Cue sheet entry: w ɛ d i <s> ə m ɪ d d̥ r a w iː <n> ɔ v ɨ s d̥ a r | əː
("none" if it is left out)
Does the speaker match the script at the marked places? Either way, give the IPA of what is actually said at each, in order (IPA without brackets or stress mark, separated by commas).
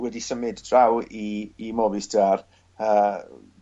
s, m